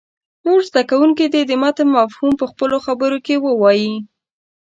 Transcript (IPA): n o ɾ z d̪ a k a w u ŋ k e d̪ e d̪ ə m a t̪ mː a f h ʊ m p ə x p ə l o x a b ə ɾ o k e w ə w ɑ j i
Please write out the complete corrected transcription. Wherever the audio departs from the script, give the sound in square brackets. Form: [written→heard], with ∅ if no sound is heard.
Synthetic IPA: n o ɾ z d̪ a k a w u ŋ k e d̪ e d̪ ə m a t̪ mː a f h [ʊ→u] m p ə x p ə l o x a b ə ɾ o k e w ə w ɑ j i